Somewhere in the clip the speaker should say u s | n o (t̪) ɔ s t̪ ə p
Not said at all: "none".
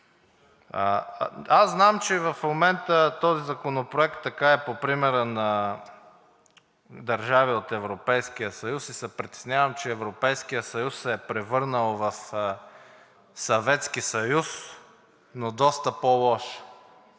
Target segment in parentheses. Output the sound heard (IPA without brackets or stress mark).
d̪